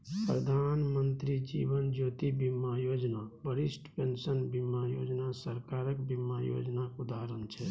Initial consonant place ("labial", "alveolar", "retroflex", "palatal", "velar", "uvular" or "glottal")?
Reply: labial